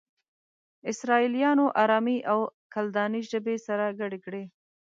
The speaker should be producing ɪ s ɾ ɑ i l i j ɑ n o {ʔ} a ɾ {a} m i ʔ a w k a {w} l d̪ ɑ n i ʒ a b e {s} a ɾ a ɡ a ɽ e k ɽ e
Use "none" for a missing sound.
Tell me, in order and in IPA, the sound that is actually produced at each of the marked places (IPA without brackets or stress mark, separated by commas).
ʔ, ɑ, none, s